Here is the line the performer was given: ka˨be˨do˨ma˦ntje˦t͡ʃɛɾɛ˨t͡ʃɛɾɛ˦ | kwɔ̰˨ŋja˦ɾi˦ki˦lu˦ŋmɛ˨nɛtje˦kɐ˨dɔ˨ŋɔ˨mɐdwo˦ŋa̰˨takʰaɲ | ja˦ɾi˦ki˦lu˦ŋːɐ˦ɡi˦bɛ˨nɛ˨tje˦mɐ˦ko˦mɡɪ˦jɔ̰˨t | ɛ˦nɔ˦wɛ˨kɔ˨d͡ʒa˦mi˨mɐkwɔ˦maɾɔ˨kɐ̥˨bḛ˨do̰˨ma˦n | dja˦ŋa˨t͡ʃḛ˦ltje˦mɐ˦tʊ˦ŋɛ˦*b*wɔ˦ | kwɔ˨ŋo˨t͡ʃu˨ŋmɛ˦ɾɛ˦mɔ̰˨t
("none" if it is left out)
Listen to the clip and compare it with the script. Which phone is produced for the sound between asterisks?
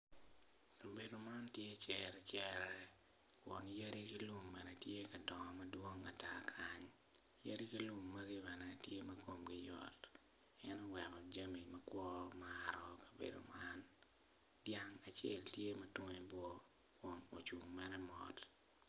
b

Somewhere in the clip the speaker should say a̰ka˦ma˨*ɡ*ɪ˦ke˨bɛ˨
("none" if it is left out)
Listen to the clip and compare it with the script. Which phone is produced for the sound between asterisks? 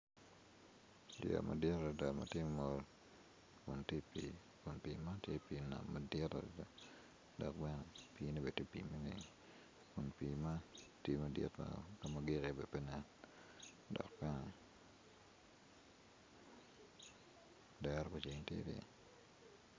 ɡ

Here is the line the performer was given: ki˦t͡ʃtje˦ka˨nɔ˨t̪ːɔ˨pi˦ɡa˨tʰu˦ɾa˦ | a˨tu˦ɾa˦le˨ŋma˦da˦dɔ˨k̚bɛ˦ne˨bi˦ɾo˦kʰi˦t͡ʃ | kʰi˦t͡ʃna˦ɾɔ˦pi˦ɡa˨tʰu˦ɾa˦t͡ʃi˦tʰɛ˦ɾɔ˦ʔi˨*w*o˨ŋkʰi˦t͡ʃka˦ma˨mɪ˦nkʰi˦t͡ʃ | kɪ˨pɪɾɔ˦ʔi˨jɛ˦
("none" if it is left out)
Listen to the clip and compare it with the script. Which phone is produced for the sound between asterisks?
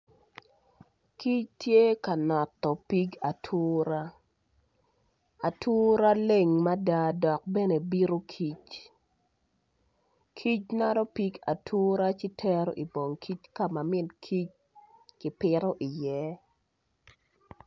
b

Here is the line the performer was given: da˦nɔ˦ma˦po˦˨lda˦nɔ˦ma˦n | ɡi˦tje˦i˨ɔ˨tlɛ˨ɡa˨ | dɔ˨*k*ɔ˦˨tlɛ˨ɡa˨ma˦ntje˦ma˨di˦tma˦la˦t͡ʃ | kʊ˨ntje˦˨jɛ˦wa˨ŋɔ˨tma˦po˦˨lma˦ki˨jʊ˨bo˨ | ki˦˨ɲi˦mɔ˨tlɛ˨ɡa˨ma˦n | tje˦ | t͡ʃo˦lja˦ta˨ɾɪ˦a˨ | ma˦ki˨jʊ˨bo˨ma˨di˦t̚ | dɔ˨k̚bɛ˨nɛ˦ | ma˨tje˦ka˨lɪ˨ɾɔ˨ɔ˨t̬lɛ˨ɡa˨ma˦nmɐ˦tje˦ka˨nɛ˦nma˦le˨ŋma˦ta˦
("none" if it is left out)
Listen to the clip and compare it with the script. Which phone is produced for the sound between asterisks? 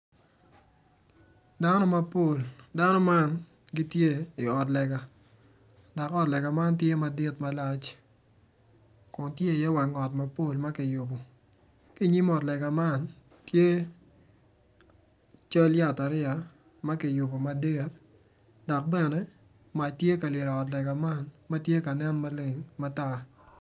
k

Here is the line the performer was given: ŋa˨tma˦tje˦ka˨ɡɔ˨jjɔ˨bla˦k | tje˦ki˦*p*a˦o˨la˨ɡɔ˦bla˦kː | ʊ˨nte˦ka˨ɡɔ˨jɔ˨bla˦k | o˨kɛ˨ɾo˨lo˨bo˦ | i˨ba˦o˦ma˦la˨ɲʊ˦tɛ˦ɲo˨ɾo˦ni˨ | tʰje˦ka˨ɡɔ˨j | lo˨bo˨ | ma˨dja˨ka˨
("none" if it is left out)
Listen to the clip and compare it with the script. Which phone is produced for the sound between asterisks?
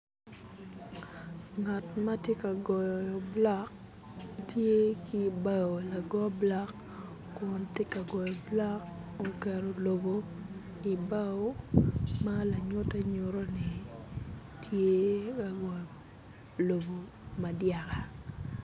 b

